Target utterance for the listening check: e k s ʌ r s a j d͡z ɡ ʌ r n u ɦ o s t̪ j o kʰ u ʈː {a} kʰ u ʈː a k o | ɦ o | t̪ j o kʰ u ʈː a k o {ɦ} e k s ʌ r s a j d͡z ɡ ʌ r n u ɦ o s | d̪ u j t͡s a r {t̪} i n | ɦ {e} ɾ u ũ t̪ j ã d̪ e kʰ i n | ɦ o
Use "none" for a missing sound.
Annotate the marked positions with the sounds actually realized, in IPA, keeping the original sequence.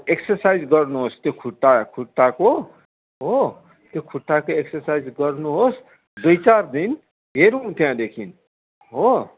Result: a, none, d̪, e

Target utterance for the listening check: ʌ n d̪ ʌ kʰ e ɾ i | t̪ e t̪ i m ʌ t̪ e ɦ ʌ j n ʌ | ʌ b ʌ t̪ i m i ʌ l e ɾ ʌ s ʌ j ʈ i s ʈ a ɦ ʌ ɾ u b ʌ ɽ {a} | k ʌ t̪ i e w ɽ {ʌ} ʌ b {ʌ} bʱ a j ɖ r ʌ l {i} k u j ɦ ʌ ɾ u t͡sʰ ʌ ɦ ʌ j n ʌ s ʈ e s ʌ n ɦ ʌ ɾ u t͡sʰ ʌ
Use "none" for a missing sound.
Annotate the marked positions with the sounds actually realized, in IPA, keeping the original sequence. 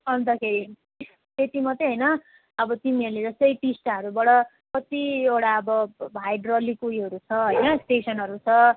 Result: ʌ, a, ʌ, i

